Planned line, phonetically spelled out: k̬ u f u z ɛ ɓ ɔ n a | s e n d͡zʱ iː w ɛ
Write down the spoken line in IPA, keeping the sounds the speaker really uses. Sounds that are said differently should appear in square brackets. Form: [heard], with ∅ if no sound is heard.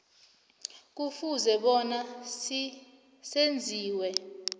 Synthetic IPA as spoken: k̬ u f u z ɛ ɓ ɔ n a | s e n d͡zʱ iː w ɛ